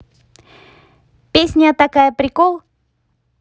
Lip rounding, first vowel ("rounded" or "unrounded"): unrounded